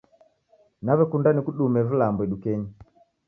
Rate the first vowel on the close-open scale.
open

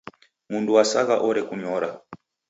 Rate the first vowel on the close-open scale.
close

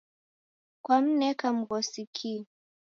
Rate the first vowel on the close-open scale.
open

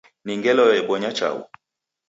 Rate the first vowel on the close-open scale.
close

